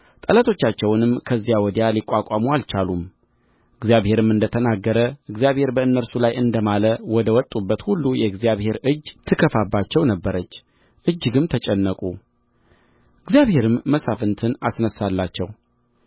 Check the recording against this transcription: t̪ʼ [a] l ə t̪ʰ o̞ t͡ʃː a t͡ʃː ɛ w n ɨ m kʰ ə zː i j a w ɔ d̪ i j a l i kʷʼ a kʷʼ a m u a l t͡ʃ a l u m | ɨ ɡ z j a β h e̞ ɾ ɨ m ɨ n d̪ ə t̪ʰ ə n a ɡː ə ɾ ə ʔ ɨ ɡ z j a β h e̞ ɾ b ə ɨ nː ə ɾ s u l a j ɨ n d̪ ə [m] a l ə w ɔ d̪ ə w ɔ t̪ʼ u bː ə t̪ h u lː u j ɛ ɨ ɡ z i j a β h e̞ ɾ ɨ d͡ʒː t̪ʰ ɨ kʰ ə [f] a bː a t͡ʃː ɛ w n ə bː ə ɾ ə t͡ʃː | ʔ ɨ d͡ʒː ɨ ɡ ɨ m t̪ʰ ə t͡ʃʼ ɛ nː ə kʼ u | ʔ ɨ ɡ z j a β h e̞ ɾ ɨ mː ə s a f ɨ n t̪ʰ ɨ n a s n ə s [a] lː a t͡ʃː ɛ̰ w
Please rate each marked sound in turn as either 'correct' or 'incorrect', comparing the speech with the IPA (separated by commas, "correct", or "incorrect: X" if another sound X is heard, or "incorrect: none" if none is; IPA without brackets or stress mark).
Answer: incorrect: ə, correct, correct, correct